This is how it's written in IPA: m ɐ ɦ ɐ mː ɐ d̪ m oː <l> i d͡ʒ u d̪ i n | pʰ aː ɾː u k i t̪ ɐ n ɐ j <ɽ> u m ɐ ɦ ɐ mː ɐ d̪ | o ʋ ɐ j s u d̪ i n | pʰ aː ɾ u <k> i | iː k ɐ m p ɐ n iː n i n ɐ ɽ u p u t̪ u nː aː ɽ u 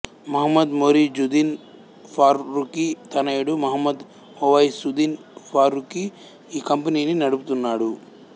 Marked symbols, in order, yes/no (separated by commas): no, yes, yes